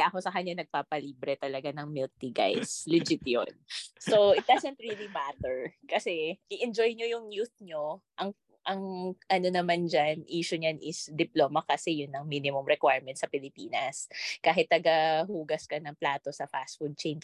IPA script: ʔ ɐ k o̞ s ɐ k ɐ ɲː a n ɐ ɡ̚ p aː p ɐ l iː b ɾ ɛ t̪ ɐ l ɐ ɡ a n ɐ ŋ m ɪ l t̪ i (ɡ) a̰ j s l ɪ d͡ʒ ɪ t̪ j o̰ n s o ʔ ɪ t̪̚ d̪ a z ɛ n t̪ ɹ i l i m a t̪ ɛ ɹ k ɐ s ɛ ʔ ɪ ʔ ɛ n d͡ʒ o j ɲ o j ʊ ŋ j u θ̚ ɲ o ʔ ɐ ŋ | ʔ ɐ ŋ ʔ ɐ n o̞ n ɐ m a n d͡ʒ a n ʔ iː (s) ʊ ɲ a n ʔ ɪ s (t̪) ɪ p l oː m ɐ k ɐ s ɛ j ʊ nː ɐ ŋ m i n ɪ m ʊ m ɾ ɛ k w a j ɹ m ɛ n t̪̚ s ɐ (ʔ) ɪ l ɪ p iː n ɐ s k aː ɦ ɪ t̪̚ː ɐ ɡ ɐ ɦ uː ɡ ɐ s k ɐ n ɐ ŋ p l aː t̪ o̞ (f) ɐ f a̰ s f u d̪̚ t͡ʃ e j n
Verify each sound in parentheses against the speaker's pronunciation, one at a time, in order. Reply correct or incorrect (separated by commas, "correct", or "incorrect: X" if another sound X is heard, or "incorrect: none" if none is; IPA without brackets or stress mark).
correct, incorrect: ʃ, incorrect: d̪, incorrect: p, incorrect: s